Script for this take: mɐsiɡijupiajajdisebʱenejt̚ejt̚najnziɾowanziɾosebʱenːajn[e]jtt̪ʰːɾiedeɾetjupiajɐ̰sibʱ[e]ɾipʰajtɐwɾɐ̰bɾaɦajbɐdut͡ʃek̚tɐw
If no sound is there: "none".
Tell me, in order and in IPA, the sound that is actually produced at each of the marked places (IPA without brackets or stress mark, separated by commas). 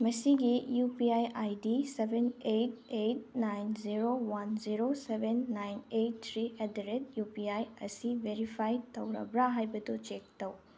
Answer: e, e